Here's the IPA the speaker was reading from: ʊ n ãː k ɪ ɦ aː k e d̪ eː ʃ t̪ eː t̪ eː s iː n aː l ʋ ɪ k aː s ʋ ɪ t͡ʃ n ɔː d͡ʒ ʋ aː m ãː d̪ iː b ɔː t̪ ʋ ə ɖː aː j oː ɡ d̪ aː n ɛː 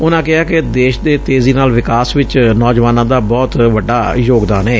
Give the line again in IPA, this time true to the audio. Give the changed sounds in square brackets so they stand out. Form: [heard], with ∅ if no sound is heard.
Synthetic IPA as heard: ʊ n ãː k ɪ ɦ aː k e d̪ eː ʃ [d̪] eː t̪ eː [z] iː n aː l ʋ ɪ k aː s ʋ ɪ t͡ʃ n ɔː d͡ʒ ʋ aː [n] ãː d̪ [aː] b ɔː t̪ ʋ ə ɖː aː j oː ɡ d̪ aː n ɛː